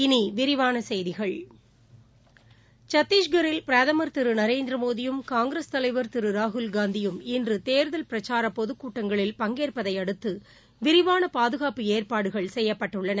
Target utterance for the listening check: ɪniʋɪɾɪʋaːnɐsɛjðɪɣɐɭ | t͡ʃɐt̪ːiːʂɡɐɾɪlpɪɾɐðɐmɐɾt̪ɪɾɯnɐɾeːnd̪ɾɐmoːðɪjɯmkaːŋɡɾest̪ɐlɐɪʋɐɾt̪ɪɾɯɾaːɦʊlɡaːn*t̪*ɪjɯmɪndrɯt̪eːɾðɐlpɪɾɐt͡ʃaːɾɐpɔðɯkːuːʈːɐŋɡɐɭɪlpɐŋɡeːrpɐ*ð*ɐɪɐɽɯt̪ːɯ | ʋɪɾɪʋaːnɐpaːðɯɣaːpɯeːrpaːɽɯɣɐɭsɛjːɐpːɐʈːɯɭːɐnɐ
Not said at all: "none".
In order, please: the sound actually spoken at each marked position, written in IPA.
d̪, ð

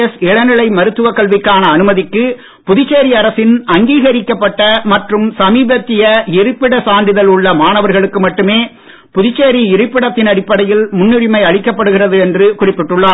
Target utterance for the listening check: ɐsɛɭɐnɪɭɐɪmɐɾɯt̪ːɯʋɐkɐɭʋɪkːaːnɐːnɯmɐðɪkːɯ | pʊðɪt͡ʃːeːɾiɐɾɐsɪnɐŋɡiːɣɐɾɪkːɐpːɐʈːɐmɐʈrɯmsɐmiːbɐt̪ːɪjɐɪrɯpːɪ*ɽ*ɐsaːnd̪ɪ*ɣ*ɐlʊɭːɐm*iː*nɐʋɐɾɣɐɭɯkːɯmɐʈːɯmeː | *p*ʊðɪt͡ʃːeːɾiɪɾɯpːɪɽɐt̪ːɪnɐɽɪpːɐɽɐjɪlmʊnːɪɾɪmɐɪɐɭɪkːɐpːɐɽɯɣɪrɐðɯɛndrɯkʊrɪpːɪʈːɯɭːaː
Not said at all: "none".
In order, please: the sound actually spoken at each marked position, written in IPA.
ɽ, ð, aː, p

